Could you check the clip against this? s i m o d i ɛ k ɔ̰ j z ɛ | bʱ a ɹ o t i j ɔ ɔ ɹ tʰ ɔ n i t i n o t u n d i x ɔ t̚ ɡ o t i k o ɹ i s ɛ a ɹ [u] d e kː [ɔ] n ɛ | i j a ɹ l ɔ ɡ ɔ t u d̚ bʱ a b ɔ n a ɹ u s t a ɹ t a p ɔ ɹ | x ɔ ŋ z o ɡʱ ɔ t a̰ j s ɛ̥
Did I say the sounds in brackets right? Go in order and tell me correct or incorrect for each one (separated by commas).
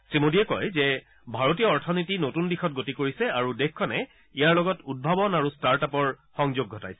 correct, correct